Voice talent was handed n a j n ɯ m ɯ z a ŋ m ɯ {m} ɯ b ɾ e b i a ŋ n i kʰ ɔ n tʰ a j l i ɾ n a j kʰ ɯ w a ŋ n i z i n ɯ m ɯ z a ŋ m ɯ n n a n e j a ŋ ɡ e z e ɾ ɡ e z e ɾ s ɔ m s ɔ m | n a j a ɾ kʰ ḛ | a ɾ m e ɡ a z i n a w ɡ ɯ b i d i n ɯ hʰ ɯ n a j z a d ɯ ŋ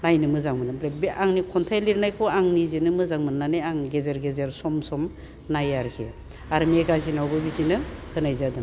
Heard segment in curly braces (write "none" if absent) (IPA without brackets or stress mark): n